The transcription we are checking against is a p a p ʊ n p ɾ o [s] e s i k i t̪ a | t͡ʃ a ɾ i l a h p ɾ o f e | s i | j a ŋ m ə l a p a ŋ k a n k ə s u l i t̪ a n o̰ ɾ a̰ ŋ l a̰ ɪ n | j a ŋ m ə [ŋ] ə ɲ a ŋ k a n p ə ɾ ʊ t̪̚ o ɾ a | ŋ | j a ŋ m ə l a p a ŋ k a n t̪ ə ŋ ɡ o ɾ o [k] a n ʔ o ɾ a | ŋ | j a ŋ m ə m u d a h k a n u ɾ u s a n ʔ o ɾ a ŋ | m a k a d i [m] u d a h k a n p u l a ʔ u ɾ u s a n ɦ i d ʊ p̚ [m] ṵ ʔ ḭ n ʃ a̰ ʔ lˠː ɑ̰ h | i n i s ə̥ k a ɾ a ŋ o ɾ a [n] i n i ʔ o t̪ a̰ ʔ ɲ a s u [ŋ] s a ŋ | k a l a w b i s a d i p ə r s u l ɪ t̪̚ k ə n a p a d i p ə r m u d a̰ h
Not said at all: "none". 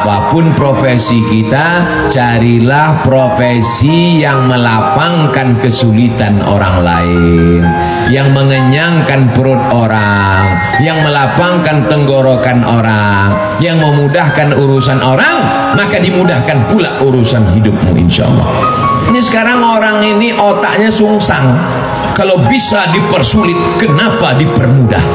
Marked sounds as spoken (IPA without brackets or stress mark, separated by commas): f, ŋ, k, m, m, ŋ, ŋ